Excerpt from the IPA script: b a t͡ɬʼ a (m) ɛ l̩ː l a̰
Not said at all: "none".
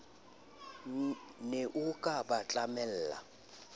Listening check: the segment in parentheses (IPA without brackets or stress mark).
m